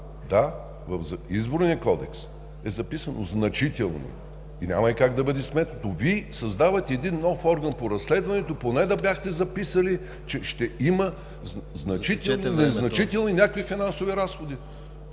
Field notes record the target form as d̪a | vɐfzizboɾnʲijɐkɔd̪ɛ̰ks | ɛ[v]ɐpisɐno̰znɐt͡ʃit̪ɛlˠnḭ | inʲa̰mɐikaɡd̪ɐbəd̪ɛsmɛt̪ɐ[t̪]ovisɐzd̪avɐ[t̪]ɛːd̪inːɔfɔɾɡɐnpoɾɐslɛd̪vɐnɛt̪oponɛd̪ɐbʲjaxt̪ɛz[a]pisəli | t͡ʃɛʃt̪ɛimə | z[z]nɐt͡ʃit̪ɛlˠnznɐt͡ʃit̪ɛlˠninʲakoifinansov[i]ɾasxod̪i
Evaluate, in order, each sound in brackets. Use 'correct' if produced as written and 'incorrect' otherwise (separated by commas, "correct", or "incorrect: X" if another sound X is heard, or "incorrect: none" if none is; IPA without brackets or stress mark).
incorrect: z, correct, correct, incorrect: ɐ, correct, correct